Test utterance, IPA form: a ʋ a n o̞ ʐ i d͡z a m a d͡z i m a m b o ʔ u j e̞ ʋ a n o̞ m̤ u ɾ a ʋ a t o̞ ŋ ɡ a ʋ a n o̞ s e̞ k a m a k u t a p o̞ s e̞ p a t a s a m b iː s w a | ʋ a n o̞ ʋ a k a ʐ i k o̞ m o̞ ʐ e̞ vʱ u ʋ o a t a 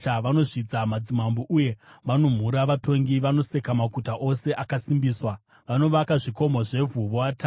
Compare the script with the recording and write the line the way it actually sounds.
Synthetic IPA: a ʋ a n o̞ ʐ i d͡z a m a d͡z i m a m b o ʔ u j e̞ ʋ a n o̞ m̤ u ɾ a ʋ a t o̞ ŋ ɡ i ʋ a n o̞ s e̞ k a m a k u t a ʔ o̞ s e̞ ʔ a k a s i m b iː s w a | ʋ a n o̞ ʋ a k a ʐ i k o̞ m o̞ ʐ e̞ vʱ u ʋ o a t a